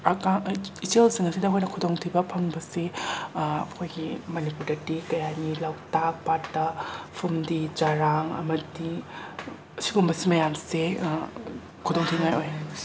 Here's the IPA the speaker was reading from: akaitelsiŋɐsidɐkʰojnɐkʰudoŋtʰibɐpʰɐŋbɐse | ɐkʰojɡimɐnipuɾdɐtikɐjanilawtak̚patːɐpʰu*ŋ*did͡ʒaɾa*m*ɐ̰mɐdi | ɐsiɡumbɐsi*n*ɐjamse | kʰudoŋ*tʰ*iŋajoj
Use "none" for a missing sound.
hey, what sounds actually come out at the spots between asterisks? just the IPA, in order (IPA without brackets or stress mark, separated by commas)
m, ŋ, m, tʰ